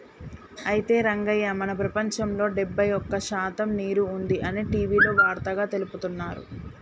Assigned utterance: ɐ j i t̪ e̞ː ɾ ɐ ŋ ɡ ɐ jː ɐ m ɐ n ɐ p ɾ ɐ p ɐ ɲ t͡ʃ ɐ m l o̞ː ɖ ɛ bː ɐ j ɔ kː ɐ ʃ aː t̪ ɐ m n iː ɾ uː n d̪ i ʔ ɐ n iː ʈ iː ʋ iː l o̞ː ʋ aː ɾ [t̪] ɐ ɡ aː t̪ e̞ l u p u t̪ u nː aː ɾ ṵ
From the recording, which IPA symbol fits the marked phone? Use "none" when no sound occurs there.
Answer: t̪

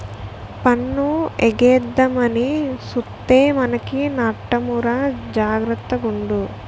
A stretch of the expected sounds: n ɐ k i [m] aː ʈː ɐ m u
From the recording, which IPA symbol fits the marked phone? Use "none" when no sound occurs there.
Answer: n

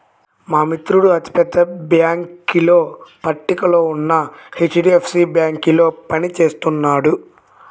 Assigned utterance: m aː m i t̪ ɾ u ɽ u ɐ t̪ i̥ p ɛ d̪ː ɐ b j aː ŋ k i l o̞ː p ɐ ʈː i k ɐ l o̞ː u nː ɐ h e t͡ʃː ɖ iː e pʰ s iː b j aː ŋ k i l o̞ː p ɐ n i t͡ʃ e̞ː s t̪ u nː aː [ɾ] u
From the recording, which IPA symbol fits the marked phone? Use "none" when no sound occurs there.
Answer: ɽ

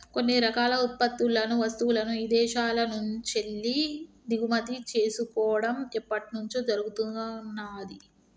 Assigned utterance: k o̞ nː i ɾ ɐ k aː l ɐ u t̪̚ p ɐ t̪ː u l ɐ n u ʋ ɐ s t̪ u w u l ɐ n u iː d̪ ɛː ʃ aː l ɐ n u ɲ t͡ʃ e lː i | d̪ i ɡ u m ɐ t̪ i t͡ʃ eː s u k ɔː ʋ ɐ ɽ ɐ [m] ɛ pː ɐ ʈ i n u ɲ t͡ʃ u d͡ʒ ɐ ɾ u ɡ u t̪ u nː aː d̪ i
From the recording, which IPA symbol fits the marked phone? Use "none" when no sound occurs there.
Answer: m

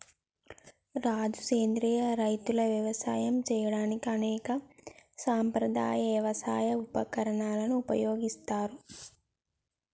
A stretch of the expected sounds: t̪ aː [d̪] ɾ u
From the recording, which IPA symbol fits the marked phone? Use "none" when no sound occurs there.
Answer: none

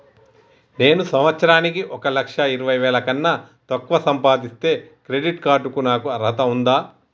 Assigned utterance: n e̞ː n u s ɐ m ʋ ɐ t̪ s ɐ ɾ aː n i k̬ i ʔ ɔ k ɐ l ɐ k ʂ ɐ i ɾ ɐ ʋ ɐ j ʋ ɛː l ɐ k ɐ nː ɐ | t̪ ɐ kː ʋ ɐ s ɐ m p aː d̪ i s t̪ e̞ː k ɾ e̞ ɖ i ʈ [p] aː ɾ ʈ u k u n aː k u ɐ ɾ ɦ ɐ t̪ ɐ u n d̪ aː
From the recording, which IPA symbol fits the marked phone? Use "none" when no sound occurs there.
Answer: k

